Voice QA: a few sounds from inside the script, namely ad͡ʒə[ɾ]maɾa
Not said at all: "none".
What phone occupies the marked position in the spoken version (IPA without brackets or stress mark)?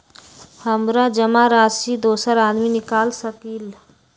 none